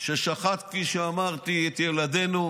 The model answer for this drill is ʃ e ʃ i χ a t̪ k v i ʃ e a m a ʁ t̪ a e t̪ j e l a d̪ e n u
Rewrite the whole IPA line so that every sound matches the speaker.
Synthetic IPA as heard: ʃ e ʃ a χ a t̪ k f i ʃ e a m a ʁ t̪ i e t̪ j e l a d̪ e n u